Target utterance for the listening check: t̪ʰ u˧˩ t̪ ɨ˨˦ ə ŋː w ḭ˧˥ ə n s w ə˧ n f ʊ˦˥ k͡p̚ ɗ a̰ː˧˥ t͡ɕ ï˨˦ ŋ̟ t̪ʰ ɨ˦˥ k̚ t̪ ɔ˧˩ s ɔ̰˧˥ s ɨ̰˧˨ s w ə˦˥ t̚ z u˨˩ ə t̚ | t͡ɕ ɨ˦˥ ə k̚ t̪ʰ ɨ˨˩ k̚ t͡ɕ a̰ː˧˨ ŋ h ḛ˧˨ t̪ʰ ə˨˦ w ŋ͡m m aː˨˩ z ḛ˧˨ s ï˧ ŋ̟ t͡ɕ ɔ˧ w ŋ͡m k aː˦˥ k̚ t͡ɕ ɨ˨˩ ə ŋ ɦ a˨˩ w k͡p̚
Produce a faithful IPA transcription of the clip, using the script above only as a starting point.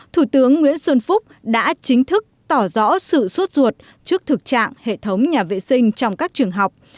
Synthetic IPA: t̪ʰ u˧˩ t̪ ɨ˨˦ ə ŋː w ḭ˧˥ ə n s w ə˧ n f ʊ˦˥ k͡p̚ ɗ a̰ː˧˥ t͡ɕ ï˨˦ ŋ̟ t̪ʰ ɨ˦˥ k̚ t̪ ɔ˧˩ z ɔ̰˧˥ s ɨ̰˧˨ s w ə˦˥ t̚ z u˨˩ ə t̚ | t͡ɕ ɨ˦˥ ə k̚ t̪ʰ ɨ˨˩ k̚ t͡ɕ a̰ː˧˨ ŋ h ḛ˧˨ t̪ʰ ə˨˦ w ŋ͡m ɲ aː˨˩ v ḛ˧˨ s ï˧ ŋ̟ t͡ɕ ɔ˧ w ŋ͡m k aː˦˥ k̚ t͡ɕ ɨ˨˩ ə ŋ ɦ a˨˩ w k͡p̚